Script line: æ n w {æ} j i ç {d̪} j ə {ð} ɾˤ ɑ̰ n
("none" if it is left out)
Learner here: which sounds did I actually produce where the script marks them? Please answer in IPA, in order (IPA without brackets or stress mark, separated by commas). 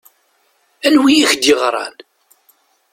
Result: i, d̪, ʁ